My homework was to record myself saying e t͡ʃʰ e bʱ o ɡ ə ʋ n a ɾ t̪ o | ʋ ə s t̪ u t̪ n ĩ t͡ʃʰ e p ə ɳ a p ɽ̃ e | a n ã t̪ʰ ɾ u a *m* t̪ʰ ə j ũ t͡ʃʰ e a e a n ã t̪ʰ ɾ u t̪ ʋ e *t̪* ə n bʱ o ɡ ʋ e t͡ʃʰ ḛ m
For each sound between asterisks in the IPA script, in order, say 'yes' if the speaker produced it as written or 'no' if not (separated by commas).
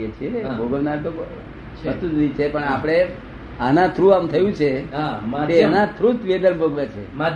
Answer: yes, no